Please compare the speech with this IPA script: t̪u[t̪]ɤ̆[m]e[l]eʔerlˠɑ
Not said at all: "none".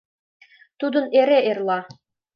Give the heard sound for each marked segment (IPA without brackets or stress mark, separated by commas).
d̪, n, ɾ